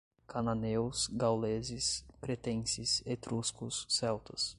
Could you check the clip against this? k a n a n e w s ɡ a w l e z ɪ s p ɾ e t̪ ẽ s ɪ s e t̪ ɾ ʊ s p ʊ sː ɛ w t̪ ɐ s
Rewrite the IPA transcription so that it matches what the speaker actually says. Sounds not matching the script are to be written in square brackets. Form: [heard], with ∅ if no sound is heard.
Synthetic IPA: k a n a n e w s ɡ a w l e z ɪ s p ɾ e t̪ ẽ s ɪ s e t̪ ɾ [u] s [k] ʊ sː ɛ w t̪ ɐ s